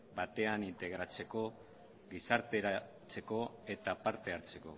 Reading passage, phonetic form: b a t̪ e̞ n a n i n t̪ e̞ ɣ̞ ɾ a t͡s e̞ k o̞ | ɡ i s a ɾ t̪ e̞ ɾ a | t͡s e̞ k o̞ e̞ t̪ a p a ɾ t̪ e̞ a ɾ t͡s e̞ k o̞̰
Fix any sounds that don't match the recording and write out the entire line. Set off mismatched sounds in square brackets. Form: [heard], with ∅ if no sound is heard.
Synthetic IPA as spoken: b a t̪ e̞ [∅] a n i n t̪ e̞ ɣ̞ ɾ a t͡s e̞ k o̞ | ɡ i s a ɾ t̪ e̞ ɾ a | t͡s e̞ k o̞ e̞ t̪ a p a ɾ t̪ e̞ a ɾ t͡s e̞ k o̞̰